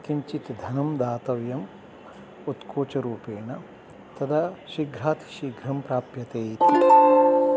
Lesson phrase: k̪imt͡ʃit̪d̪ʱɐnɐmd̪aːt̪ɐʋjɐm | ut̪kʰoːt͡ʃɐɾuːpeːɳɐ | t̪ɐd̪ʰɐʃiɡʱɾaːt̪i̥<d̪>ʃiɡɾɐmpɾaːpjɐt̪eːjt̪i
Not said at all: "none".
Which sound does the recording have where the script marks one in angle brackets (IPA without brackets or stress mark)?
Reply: none